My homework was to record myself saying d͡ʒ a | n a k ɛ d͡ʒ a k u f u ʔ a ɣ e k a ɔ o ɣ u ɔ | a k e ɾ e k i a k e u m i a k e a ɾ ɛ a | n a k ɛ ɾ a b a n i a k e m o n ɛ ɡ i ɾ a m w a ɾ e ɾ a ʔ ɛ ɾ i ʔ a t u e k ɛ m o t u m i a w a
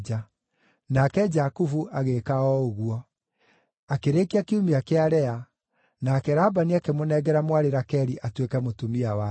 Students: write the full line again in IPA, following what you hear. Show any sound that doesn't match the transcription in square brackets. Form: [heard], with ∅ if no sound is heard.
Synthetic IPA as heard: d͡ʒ a | n a k ɛ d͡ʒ a k u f u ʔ a ɣ e k a ɔ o ɣ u ɔ | a k e ɾ e k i a k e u m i a k e a ɾ ɛ a | n a k ɛ ɾ a b a n i a k e m o n ɛ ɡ [ɛ] ɾ a m w a ɾ e ɾ a [k] ɛ ɾ i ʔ a t [w] e k ɛ m o t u m i a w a